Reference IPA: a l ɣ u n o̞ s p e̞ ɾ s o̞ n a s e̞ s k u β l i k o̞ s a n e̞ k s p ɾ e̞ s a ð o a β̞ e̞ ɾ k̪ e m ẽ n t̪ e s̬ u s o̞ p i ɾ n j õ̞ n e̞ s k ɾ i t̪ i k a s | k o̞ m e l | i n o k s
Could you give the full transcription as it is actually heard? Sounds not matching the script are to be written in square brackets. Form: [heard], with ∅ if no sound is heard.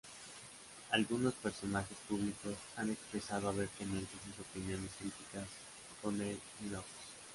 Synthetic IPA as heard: a l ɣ u n o̞ s p e̞ ɾ s o̞ n a [x] e̞ s [p] u β l i k o̞ s a n e̞ k s p ɾ e̞ s a ð o a β̞ e̞ ɾ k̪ e m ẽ n t̪ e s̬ u s o̞ p i [∅] n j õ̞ n e̞ s k ɾ i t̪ i k a s | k o̞ [n] e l | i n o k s